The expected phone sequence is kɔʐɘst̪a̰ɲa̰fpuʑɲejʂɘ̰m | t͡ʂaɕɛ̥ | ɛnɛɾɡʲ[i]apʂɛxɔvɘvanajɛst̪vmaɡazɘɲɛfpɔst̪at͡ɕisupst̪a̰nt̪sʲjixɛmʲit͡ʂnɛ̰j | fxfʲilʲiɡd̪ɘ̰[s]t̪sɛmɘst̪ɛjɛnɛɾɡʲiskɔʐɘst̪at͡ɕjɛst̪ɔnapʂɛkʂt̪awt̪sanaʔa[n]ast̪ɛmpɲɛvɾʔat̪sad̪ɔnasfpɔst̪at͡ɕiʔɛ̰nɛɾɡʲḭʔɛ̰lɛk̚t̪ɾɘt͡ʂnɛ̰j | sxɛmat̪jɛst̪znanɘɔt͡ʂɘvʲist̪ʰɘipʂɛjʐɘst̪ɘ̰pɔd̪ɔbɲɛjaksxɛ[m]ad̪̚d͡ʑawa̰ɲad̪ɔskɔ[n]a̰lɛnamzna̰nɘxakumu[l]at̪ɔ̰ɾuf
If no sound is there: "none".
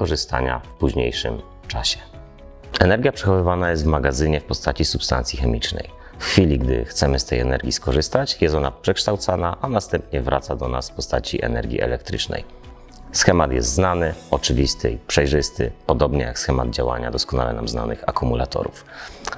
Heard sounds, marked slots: j, x, n, m, n, l

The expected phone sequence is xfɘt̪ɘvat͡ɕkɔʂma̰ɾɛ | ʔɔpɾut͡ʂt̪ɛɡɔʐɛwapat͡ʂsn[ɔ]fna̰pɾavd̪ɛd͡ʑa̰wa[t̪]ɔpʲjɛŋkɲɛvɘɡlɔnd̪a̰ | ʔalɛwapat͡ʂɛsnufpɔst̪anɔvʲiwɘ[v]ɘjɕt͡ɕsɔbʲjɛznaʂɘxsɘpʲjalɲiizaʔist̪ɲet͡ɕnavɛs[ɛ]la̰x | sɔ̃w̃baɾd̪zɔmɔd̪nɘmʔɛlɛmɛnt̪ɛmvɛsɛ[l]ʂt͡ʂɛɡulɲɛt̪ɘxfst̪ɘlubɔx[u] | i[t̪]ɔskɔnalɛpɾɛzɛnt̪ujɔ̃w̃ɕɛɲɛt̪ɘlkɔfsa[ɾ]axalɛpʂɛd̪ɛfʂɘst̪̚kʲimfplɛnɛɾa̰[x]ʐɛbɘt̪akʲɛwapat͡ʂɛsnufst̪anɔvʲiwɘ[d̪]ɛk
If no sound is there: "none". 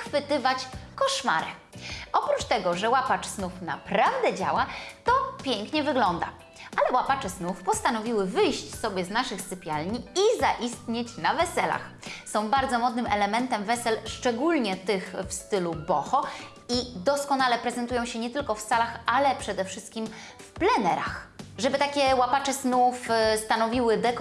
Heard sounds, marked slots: u, t̪, v, ɛ, l, ɔ, d̪, l, x, d̪

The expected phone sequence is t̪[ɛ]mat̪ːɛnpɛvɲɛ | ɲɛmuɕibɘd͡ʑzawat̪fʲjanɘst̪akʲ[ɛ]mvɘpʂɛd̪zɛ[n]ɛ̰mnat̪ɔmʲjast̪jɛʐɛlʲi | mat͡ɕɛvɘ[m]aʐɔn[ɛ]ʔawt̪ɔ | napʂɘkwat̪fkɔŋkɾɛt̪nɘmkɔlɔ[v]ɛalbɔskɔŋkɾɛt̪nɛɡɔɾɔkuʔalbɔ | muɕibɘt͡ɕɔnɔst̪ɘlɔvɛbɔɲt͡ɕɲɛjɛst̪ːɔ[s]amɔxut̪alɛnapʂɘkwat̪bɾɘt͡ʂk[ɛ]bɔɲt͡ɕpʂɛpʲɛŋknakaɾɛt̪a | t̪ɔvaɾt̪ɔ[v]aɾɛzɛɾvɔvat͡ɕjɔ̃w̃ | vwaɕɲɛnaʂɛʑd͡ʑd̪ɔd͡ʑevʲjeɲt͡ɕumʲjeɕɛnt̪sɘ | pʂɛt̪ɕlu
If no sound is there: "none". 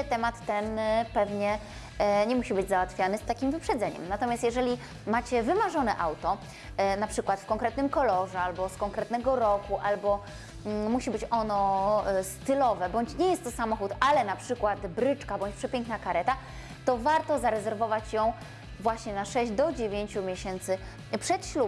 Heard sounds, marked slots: ɛ, i, ɲ, m, ɛ, ʐ, s, a, z

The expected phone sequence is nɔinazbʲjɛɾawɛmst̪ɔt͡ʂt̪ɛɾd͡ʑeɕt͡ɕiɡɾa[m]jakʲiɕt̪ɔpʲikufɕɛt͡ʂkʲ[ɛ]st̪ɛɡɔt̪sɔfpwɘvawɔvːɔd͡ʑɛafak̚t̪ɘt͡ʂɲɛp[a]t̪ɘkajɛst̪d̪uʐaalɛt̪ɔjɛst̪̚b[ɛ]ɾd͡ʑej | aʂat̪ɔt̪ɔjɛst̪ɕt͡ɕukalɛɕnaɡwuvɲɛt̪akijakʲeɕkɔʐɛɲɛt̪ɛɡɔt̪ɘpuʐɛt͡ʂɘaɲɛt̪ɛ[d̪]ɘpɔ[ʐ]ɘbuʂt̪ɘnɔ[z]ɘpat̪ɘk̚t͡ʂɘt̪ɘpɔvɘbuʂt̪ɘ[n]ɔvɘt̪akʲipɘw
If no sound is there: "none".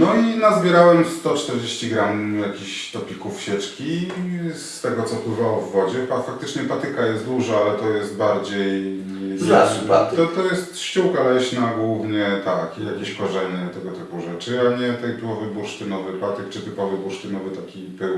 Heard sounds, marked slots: m, i, a, a, t̪, v, v, n

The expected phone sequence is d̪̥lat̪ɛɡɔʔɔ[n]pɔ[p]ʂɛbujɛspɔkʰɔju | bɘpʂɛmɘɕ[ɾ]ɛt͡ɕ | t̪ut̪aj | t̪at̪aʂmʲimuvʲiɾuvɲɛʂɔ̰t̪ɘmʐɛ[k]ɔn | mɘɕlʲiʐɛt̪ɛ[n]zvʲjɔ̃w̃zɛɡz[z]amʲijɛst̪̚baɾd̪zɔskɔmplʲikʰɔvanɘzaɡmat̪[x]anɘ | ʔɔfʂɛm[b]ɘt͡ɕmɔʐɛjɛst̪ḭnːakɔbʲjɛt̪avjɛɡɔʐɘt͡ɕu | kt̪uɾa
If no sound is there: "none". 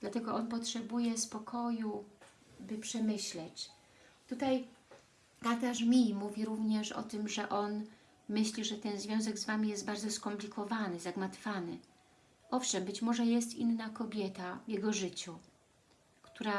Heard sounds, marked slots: n, t, l, ʔ, n, v, f, b

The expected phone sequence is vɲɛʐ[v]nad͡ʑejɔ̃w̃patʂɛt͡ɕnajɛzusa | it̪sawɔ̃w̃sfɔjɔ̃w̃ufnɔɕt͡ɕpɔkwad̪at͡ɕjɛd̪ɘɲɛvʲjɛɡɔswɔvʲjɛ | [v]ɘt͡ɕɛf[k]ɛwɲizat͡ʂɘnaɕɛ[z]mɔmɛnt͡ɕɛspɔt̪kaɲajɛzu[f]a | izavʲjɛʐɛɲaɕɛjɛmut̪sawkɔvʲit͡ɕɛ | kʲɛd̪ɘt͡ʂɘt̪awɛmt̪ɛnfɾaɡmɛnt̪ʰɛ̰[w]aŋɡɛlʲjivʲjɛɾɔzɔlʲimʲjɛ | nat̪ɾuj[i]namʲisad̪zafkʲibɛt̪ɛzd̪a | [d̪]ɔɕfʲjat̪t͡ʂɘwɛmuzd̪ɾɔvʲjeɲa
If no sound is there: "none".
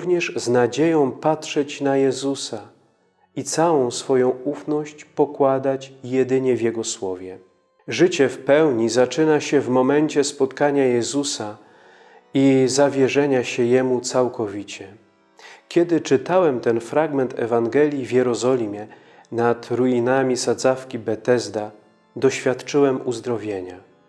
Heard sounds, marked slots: z, ʐ, p, v, s, v, i, d̪

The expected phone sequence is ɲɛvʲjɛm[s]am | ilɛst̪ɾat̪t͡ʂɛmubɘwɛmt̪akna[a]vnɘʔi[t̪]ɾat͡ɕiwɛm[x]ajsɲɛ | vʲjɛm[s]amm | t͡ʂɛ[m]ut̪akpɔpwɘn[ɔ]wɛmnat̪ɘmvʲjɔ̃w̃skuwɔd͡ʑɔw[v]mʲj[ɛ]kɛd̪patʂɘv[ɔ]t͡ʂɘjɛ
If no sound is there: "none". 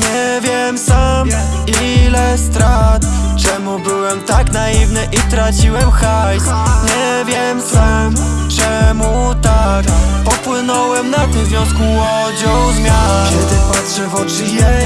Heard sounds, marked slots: s, i, t̪, x, s, m, ɔ, z, a, ɔ

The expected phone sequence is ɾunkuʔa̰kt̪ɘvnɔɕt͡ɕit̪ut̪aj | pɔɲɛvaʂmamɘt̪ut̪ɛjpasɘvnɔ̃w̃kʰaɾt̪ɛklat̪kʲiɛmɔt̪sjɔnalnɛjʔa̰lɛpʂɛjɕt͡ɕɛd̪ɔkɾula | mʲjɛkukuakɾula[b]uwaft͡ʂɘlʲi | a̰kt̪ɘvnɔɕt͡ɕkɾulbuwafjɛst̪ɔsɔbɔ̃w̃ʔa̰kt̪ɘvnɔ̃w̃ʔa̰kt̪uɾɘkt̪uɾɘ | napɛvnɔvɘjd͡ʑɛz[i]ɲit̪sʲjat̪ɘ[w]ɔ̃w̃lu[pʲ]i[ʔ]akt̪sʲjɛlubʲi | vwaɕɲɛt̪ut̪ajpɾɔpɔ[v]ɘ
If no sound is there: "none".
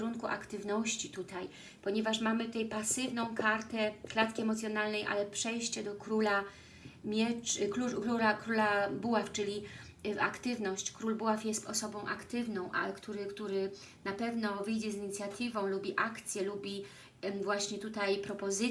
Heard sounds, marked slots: b, i, v, bʲ, ʔ, z

